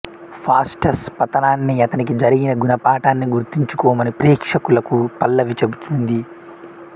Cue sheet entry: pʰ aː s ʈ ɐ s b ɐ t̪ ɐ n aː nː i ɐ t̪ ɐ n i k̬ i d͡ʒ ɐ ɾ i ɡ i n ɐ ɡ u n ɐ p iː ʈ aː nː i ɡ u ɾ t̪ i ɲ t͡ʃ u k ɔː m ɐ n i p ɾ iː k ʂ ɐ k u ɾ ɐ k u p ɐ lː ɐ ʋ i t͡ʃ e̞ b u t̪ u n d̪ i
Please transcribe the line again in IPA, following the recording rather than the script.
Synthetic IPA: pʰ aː s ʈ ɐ s p ɐ t̪ ɐ n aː nː i ɐ t̪ ɐ n i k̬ i d͡ʒ ɐ ɾ i ɡ i n ɐ ɡ u n ɐ p aː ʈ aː nː i ɡ u ɾ t̪ i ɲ t͡ʃ u k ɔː m ɐ n i p ɾ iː k ʂ ɐ k u l ɐ k u p ɐ lː ɐ ʋ i t͡ʃ e̞ b u t̪ u n d̪ i